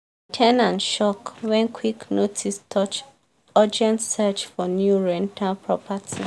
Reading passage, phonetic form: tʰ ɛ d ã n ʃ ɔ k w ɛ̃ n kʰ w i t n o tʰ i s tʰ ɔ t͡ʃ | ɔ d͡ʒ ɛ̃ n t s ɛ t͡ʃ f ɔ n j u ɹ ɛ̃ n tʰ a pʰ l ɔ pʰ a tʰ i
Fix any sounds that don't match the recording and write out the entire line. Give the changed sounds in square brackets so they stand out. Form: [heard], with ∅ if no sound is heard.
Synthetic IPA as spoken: tʰ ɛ [n] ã n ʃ ɔ k w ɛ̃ n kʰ w i [k] n o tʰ i s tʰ ɔ t͡ʃ | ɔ d͡ʒ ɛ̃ n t s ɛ t͡ʃ f ɔ n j u ɹ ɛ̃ n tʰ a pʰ [ɹ] ɔ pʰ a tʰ i